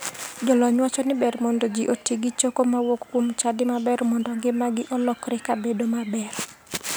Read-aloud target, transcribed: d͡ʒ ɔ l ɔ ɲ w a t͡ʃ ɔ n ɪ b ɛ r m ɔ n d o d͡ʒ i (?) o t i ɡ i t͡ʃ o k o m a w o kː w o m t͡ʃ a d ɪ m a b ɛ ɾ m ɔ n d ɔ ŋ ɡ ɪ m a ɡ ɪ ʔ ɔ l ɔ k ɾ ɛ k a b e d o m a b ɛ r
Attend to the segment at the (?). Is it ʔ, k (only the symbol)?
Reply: ʔ